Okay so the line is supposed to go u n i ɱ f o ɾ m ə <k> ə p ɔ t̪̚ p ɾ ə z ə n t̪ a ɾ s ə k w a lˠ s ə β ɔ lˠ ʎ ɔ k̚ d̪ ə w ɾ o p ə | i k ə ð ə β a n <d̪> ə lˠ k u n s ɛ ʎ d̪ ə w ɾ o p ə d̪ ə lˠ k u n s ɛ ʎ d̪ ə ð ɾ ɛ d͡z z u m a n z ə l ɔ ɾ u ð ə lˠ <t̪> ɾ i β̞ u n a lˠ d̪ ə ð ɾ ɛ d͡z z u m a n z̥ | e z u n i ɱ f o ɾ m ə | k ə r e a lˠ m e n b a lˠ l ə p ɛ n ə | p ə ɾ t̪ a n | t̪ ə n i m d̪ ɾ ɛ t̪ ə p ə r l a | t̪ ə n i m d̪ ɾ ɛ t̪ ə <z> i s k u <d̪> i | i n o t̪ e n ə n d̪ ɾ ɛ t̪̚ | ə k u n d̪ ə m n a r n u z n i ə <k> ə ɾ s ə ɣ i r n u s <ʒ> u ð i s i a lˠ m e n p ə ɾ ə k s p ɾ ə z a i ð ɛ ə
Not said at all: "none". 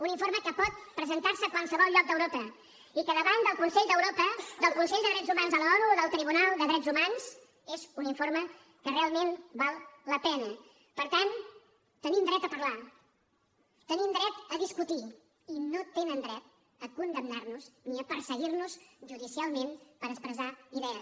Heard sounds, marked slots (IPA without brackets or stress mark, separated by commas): k, d̪, t̪, ð, t̪, p, ʒ